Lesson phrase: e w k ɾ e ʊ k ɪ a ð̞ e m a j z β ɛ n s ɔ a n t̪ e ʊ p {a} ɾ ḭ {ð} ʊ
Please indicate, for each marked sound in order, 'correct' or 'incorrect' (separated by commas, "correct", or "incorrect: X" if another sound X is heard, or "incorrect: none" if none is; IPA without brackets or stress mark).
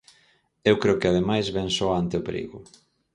incorrect: e, incorrect: ɣ